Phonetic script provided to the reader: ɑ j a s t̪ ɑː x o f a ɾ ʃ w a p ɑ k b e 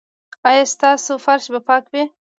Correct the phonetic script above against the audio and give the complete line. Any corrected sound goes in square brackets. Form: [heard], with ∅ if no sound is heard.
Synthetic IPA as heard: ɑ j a s t̪ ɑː [s] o f a ɾ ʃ [b] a p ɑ k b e